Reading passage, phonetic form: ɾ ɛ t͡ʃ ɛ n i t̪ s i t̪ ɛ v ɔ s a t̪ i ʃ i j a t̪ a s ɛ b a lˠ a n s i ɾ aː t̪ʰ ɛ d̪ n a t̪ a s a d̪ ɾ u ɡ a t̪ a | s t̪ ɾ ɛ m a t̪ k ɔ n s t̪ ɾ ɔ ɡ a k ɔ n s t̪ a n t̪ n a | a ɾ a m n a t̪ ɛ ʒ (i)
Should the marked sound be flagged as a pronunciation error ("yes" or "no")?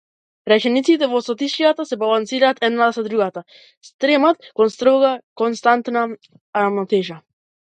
yes